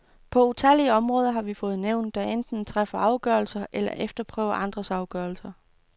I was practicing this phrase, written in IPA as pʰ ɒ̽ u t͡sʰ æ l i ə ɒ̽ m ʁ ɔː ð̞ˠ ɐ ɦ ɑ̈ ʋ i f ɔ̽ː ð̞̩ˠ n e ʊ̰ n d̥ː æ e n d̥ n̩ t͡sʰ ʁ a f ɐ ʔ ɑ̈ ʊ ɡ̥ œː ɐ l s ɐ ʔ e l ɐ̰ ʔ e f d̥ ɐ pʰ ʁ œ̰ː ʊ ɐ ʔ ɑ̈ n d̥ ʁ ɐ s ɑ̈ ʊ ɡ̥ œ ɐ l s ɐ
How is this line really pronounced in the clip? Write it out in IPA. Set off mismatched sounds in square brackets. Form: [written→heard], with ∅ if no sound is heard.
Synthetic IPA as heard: pʰ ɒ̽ u t͡sʰ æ l i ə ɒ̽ m ʁ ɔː ð̞ˠ ɐ ɦ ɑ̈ ʋ i f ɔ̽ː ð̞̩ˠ n e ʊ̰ n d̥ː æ e n d̥ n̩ t͡sʰ ʁ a f ɐ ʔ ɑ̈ ʊ ɡ̥ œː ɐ l s ɐ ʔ e l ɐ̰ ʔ e f d̥ ɐ pʰ ʁ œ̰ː ʊ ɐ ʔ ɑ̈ n d̥ ʁ ɐ s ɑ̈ ʊ ɡ̥ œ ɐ l s ɐ